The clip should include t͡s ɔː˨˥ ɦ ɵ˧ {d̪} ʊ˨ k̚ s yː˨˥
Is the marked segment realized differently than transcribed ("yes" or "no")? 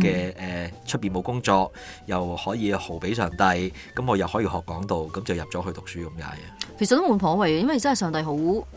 yes